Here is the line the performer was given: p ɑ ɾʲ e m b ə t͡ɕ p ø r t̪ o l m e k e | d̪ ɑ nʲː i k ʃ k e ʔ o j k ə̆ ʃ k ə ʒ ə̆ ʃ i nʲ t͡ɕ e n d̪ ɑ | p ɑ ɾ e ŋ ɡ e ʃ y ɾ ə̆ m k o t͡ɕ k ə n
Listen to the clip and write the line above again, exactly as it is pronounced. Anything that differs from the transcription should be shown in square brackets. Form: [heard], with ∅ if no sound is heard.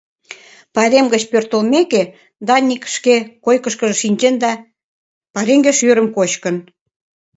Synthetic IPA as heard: p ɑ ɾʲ e m [ɡ] ə t͡ɕ p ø r t̪ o l m e k e | d̪ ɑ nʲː i k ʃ k e [k] o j k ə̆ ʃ k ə ʒ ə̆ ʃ i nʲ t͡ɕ e n d̪ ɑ | p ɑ ɾ e ŋ ɡ e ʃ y ɾ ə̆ m k o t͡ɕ k ə n

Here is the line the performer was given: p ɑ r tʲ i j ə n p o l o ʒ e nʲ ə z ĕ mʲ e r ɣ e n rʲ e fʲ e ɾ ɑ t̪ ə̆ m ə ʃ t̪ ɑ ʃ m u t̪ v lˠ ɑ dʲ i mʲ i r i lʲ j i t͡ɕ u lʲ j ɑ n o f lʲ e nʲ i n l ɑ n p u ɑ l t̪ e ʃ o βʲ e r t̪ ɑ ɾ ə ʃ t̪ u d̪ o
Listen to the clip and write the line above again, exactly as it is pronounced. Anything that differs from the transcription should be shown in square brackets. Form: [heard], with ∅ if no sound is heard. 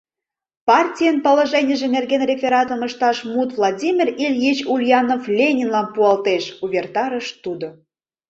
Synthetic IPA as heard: p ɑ r tʲ i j ə n p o l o ʒ e nʲ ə [ʒ] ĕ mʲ e r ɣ e n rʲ e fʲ e ɾ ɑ t̪ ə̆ m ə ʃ t̪ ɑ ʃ m u t̪ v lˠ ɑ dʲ i mʲ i r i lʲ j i t͡ɕ u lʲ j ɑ n o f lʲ e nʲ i n l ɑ n p u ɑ l t̪ e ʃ [u] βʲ e r t̪ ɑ ɾ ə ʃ t̪ u d̪ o

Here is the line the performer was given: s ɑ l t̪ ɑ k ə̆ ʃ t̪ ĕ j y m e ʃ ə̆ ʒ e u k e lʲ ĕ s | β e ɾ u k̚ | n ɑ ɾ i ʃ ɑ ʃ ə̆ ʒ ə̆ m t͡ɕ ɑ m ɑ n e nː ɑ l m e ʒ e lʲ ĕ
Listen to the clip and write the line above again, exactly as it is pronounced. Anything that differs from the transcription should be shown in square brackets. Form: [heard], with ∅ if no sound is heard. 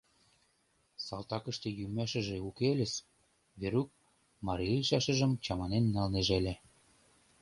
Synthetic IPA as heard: s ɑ l t̪ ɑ k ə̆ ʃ t̪ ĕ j y m [æ] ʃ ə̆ ʒ e u k e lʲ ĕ s | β e ɾ u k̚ | [m] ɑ ɾ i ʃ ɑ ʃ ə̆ ʒ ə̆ m t͡ɕ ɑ m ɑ n e nː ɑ l [n] e ʒ e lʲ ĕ

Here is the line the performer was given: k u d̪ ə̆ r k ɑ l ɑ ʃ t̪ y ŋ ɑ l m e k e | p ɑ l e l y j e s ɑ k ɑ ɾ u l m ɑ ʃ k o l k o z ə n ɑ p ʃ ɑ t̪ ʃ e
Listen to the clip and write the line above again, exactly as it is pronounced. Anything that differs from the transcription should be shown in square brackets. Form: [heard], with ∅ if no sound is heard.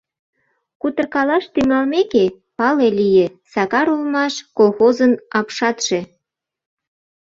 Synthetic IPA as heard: k u [t̪] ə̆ r k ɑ l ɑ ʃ t̪ y ŋ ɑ l m e k e | p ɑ l e l [i] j e s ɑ k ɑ ɾ u l m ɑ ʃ k o l [x] o z ə n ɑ p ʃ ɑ t̪ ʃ e

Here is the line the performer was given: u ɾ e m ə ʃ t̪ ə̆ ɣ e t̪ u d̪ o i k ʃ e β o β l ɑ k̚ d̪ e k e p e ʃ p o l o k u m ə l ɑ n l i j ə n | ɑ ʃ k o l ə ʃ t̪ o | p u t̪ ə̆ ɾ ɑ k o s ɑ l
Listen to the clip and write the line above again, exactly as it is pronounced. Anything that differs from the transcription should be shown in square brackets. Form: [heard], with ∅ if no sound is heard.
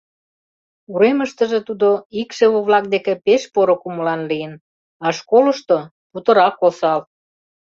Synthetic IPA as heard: u ɾ e m ə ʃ t̪ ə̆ [ʒ] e t̪ u d̪ o i k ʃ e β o β l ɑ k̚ d̪ e k e p e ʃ p o [ɾ] o k u m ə l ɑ n l i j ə n | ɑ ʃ k o l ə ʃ t̪ o | p u t̪ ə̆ ɾ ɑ k o s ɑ l

